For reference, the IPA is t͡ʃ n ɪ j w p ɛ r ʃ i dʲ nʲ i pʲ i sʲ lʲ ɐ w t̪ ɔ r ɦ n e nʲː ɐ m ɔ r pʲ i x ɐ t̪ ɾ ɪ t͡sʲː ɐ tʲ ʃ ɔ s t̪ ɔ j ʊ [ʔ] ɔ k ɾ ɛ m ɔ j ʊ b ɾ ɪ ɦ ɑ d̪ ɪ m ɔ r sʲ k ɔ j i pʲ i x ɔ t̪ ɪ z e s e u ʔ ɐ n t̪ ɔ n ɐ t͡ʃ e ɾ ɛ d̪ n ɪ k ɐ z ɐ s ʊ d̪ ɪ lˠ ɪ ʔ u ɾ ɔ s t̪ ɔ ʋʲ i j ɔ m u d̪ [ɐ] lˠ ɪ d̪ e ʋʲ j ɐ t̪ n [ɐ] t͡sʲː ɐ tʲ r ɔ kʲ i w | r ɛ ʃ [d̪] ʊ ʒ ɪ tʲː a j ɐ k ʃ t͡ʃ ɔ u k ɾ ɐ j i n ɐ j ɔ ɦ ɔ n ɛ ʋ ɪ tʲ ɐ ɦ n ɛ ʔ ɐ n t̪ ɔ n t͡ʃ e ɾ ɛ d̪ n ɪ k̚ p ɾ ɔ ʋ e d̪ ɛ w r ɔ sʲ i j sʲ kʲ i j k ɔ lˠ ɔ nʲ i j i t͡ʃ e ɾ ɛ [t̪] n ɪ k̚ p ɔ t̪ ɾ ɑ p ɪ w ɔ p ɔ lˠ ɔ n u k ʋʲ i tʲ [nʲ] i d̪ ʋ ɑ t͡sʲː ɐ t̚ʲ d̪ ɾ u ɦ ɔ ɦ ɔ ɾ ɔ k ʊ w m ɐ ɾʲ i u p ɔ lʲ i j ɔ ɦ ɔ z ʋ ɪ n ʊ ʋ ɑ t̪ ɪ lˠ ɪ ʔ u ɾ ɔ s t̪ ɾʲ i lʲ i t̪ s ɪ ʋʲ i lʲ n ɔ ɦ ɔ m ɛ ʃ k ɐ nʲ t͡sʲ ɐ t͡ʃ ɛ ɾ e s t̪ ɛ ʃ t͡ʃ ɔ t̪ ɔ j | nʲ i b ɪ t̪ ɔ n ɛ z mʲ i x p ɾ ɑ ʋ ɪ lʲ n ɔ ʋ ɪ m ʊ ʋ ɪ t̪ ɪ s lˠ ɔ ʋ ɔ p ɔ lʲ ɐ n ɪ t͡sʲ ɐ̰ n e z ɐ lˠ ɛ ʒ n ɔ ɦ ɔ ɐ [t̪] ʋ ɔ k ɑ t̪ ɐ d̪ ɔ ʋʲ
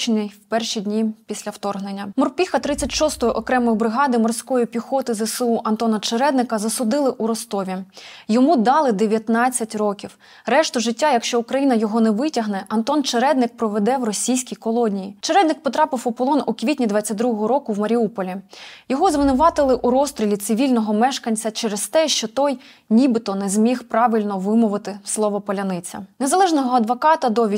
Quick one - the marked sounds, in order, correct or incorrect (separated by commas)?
correct, incorrect, incorrect, incorrect, incorrect, correct, incorrect